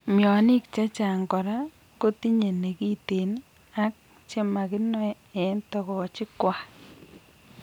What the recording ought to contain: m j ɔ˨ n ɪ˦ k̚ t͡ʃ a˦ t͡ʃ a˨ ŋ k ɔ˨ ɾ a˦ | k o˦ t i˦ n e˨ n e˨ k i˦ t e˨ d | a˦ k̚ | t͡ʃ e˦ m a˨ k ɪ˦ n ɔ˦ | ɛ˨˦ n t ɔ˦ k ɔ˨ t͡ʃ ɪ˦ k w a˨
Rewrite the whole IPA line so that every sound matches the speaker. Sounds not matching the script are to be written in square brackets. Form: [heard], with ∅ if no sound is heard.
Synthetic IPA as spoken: m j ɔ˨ n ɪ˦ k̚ t͡ʃ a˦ t͡ʃ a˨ ŋ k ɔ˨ ɾ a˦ | k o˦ t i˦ [ɲ] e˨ n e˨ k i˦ t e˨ [n] | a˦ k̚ | t͡ʃ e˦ m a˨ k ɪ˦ n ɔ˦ | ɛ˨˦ n t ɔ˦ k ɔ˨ t͡ʃ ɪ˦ k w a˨